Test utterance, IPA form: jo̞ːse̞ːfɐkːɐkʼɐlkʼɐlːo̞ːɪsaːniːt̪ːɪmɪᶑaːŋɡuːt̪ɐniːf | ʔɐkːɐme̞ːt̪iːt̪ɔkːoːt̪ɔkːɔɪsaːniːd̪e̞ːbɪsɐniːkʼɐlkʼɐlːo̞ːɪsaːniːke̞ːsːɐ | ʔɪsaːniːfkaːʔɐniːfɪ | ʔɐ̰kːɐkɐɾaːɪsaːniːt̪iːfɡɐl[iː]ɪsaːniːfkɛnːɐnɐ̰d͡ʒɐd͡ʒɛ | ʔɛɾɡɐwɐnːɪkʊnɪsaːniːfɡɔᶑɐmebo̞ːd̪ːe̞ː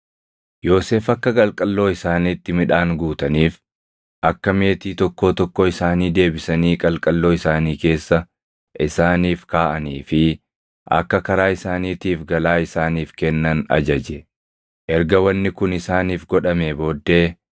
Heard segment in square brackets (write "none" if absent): aː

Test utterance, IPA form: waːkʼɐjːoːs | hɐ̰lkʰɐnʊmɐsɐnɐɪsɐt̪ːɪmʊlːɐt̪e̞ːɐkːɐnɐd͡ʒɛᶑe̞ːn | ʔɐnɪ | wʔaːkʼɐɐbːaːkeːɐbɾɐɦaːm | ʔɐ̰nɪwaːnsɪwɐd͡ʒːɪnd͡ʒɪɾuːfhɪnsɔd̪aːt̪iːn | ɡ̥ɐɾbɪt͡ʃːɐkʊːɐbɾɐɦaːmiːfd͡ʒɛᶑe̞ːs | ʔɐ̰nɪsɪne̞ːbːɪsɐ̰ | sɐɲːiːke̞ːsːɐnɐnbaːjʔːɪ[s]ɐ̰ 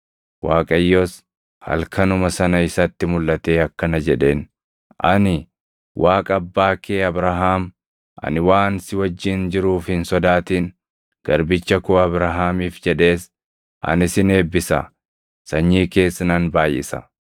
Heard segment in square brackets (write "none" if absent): s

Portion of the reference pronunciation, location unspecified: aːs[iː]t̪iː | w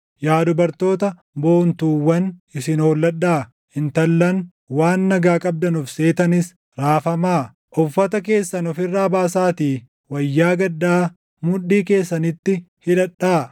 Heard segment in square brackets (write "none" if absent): aː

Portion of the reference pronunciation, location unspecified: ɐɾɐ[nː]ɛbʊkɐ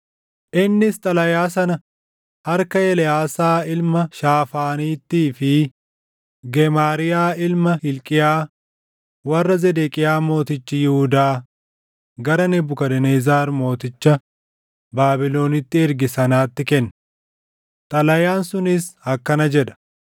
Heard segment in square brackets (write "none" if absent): n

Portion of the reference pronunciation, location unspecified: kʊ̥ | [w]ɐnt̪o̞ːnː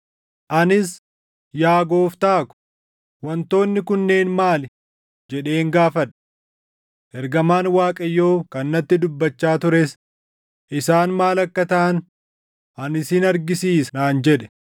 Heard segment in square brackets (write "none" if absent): w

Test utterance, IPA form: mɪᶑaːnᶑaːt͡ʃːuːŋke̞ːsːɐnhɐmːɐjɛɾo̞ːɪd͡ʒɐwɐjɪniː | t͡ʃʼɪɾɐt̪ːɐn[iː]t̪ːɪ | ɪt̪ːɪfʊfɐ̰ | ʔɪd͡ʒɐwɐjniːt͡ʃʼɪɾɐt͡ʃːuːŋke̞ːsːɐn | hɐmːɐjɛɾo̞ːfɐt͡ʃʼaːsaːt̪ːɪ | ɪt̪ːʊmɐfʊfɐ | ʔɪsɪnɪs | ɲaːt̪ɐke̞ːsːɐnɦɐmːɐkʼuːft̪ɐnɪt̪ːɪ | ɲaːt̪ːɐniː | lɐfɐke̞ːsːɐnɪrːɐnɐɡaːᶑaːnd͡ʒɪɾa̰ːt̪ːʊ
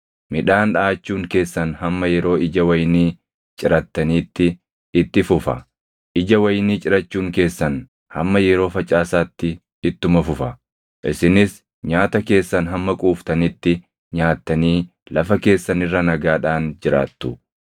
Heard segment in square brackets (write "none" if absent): iː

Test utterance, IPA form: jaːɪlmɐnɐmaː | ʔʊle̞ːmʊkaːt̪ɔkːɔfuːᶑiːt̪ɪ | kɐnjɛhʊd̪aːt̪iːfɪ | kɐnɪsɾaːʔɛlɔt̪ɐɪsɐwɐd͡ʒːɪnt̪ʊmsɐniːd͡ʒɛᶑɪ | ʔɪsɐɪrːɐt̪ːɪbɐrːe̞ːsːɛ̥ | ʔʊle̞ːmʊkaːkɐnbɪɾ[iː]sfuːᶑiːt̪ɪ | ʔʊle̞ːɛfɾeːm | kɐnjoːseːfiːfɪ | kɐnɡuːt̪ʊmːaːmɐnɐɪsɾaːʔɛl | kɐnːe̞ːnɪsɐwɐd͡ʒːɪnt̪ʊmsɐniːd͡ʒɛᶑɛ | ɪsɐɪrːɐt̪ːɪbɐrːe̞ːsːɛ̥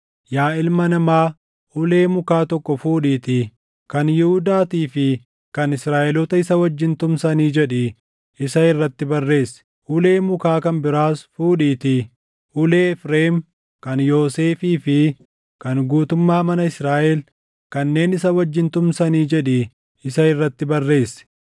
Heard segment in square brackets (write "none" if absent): aː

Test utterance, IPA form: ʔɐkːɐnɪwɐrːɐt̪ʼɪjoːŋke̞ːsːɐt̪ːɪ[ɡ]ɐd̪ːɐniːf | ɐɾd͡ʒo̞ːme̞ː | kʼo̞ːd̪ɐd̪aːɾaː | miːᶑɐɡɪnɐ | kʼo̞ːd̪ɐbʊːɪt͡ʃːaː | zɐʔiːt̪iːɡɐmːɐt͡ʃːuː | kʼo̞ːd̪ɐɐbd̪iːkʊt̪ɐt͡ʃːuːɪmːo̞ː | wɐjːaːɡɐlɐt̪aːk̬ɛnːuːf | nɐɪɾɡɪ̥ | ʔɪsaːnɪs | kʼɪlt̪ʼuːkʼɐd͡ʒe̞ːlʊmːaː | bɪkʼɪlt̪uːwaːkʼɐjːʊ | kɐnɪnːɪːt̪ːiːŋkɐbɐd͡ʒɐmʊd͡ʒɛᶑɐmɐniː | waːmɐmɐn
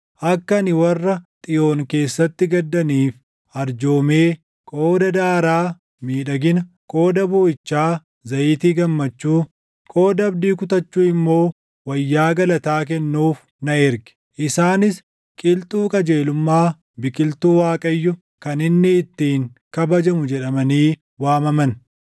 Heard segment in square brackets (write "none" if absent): ɡ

